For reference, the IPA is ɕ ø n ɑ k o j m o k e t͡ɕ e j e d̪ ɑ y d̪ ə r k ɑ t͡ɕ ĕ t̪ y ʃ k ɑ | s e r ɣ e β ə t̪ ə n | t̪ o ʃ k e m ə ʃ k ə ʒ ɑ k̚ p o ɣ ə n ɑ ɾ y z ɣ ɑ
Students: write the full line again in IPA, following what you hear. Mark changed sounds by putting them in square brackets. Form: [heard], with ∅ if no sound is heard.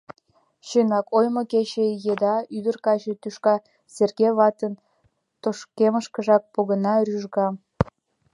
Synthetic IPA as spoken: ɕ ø n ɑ k o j m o k e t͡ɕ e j e d̪ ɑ y d̪ ə r k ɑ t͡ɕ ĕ t̪ y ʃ k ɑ | s e r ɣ e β [ɑ] t̪ ə n | t̪ o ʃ k e m ə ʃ k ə ʒ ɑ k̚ p o ɣ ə n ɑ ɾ y [ʒ] ɣ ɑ